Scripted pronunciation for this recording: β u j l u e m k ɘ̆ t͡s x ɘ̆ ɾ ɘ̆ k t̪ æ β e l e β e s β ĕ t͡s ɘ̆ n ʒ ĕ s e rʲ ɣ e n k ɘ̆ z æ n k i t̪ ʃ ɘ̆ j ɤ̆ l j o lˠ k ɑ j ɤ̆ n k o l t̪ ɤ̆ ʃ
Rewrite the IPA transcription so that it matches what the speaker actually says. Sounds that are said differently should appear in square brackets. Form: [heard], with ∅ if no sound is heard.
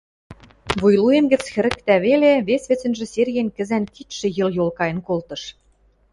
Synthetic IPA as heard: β u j l u e m [ɡ] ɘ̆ t͡s x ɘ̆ ɾ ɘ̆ k t̪ æ β e l e β e s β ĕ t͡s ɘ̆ n ʒ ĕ s e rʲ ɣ e n k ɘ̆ z æ n k i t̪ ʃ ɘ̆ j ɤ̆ l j o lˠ k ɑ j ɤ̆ n k o l t̪ ɤ̆ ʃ